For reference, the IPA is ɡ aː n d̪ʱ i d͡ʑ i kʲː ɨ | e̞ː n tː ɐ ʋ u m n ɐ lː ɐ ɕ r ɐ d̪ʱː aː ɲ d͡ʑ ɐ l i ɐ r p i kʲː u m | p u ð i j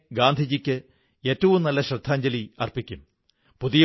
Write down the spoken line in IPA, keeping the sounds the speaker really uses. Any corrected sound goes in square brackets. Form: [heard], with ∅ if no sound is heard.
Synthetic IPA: ɡ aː n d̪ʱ i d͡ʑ i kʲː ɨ | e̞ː [∅] tː ɐ ʋ u m n ɐ lː ɐ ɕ r ɐ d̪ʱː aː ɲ d͡ʑ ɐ l i ɐ r p i kʲː u m | p u ð i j